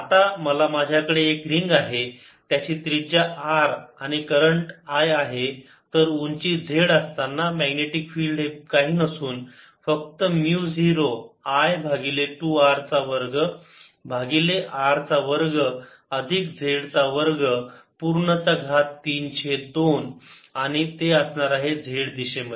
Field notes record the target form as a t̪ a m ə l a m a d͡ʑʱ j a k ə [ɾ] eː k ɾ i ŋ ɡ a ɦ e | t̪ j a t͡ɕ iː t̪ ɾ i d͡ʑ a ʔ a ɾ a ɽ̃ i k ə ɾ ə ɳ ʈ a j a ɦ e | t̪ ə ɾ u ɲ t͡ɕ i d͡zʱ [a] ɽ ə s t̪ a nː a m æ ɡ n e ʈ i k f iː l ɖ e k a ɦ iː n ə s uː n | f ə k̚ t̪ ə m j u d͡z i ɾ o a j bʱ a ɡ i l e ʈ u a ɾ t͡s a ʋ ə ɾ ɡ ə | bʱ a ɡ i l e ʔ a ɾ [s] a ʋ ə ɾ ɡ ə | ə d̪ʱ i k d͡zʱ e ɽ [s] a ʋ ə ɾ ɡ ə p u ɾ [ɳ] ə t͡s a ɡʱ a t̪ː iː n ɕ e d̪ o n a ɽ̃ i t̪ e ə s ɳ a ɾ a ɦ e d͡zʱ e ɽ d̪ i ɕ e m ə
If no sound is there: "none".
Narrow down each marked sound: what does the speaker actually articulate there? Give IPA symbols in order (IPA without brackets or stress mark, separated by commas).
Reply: ɽ, e, t͡s, t͡s, ɳ